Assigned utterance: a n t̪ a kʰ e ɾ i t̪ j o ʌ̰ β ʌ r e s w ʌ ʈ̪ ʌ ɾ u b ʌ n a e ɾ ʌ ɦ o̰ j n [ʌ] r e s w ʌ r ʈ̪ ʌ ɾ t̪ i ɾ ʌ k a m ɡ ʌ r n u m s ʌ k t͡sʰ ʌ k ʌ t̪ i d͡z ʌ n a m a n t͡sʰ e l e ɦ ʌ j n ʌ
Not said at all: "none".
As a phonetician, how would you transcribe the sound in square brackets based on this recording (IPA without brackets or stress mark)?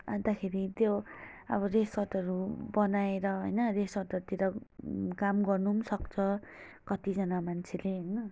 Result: ʌ